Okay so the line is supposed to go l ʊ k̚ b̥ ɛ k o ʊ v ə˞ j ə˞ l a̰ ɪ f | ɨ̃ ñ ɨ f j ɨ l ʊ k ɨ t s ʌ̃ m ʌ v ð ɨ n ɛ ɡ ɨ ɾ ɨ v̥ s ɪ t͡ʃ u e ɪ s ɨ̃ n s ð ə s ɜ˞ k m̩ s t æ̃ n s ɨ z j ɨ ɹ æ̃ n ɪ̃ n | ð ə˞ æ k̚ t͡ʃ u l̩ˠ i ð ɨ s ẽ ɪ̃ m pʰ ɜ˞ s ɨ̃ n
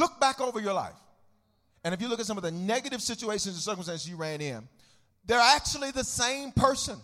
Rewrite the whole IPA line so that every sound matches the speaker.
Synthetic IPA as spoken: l ʊ k̚ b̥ æ k o ʊ v ə˞ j ə˞ l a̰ ɪ f | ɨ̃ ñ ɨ f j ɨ l ʊ k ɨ t s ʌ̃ m ʌ v ð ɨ n ɛ ɡ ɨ ɾ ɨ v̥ s ɪ t͡ʃ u e ɪ ʃ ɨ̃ n z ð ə s ɜ˞ k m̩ s t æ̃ n s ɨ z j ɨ ɹ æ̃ n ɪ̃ n | ð ə˞ æ k̚ t͡ʃ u l̩ˠ i ð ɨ s ẽ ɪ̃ m pʰ ɜ˞ s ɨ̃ n